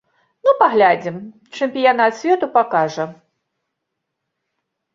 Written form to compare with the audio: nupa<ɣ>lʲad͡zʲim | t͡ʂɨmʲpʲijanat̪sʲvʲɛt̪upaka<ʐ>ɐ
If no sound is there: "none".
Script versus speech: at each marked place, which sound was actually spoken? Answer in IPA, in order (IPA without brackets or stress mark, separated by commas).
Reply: ɣ, ʐ